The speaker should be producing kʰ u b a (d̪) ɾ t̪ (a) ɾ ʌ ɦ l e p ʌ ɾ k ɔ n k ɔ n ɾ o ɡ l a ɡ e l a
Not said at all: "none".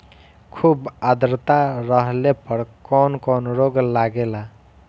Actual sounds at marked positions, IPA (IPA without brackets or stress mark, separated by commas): d̪, a